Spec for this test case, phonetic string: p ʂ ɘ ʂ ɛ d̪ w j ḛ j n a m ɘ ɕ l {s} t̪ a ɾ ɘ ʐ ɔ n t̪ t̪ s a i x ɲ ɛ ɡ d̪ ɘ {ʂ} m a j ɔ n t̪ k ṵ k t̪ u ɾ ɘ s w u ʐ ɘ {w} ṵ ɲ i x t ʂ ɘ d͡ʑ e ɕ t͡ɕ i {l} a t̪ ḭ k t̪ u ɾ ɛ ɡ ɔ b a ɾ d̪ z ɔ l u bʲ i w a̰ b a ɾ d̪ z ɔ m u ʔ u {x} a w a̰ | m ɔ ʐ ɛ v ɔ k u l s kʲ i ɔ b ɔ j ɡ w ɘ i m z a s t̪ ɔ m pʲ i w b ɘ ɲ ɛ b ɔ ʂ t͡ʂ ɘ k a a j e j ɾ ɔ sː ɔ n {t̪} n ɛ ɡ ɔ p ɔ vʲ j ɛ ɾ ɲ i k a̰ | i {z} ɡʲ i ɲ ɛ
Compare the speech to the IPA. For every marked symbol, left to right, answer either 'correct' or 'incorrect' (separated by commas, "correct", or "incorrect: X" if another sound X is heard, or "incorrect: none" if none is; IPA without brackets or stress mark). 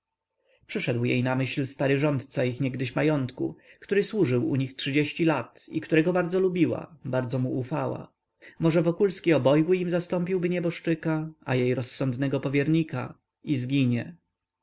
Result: correct, incorrect: ɕ, correct, correct, incorrect: f, incorrect: d̪, correct